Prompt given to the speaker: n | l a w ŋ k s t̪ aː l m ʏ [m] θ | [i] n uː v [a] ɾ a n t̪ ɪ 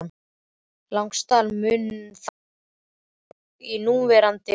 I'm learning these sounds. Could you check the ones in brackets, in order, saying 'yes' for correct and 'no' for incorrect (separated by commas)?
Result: no, yes, no